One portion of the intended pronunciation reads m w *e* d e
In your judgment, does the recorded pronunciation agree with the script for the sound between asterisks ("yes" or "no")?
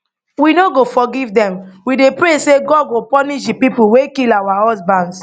no